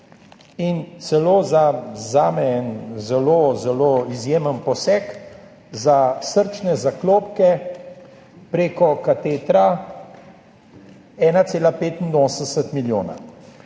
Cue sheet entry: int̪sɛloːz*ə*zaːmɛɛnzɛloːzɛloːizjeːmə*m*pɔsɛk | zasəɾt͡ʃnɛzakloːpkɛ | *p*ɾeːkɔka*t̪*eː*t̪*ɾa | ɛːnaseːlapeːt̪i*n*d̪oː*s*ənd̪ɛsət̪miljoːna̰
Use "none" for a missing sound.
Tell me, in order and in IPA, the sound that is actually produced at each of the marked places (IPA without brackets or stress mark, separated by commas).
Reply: a, n, p, t̪, t̪, n, s